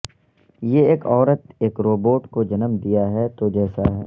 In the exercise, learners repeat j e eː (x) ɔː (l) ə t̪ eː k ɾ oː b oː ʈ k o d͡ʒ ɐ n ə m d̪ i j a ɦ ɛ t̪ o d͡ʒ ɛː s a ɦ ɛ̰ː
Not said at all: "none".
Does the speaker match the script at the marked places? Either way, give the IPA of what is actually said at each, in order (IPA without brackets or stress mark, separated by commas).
k, ɾ